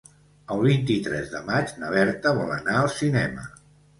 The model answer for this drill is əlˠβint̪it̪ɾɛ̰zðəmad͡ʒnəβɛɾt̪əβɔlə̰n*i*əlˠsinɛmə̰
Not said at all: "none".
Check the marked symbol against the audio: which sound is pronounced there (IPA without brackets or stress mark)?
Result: a